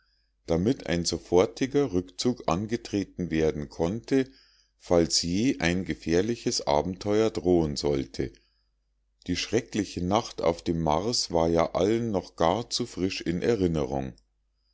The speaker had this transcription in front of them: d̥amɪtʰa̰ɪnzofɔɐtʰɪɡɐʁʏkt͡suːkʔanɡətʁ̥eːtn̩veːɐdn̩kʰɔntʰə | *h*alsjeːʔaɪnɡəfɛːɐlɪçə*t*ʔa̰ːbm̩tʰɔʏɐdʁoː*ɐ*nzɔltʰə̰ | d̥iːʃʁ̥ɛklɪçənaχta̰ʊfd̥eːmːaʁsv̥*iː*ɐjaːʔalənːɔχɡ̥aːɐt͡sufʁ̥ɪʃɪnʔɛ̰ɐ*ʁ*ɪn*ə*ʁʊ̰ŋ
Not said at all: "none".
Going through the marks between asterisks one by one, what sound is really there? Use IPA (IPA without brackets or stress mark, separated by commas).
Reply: f, s, ə, aː, ʁ, ə